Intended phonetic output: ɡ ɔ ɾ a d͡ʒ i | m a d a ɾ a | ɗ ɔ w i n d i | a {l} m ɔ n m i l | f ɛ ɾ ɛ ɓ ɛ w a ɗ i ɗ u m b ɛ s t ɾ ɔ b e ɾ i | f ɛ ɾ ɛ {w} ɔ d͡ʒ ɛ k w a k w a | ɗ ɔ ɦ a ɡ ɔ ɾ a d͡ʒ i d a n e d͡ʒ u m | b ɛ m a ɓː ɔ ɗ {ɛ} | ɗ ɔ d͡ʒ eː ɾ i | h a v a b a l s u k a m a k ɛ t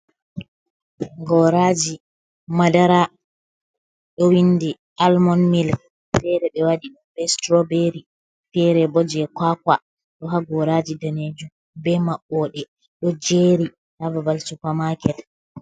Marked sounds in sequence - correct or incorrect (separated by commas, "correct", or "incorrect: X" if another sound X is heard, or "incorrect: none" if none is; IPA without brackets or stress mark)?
correct, incorrect: b, correct